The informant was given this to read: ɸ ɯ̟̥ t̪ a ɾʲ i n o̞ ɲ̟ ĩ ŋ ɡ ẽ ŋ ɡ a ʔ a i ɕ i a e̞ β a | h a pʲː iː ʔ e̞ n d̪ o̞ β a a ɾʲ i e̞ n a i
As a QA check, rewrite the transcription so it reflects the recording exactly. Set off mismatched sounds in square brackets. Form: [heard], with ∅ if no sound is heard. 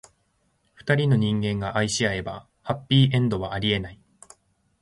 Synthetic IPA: ɸ ɯ̟̥ t̪ a ɾʲ i n o̞ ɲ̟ ĩ ŋ ɡ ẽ ŋ ɡ a ʔ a i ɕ i a e̞ [b] a | h a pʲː iː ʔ [ẽ̞] n d̪ o̞ β a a ɾʲ i e̞ n a i